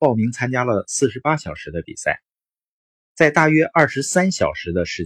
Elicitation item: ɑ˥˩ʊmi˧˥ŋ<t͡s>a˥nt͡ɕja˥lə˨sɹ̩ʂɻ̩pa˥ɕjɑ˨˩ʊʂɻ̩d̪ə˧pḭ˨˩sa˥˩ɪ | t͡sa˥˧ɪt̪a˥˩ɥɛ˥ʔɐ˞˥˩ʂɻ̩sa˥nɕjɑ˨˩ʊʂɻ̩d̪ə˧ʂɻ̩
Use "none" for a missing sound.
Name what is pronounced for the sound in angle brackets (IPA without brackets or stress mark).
t͡sʰ